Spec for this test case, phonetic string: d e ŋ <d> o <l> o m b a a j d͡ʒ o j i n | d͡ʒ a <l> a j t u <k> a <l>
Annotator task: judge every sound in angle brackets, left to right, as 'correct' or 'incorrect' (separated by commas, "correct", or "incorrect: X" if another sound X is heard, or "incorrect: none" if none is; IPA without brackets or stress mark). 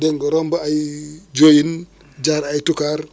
incorrect: ɡ, incorrect: ɾ, incorrect: ɾ, correct, incorrect: ɾ